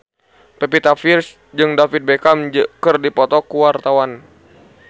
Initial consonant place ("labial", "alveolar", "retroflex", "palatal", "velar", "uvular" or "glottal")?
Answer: labial